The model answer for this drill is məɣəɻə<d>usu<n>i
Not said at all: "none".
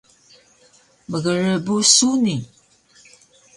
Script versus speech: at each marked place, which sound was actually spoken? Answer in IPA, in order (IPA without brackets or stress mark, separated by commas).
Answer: b, n